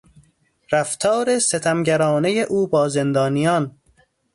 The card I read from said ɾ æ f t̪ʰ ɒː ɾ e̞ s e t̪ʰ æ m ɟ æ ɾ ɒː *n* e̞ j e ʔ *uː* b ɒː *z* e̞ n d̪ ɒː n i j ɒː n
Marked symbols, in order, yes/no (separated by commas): yes, yes, yes